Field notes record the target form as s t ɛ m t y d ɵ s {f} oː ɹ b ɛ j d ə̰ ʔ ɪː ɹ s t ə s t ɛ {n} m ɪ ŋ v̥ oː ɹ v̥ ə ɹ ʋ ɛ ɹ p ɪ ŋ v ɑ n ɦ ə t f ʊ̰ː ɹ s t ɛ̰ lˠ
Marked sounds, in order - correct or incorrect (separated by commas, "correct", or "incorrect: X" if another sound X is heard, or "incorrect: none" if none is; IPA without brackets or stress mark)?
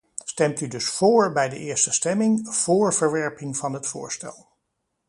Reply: correct, incorrect: none